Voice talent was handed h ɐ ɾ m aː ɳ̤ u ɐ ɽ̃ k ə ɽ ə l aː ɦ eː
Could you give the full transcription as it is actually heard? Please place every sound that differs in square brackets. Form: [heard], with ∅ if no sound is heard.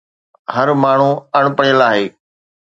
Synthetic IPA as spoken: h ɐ ɾ m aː ɳ̤ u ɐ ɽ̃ [p] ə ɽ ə l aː ɦ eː